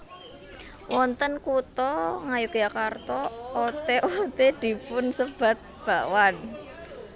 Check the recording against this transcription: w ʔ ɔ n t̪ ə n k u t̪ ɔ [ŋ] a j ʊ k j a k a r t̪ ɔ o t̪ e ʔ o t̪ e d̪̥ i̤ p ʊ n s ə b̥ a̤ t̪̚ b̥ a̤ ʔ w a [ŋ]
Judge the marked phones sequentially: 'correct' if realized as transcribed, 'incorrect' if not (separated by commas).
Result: correct, incorrect